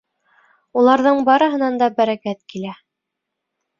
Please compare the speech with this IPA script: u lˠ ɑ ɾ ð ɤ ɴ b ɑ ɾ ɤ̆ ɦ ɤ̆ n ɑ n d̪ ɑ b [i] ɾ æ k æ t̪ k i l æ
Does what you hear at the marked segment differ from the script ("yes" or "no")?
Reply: yes